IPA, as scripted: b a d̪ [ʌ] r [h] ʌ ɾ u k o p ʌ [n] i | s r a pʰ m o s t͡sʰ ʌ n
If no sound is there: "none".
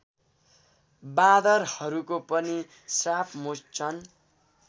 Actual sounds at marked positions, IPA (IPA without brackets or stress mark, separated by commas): ʌ, h, n